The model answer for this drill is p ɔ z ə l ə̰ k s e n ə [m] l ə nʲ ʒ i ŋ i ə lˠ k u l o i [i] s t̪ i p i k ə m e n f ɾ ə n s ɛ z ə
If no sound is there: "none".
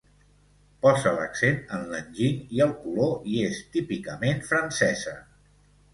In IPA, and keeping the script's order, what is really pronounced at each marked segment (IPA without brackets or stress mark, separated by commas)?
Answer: n, e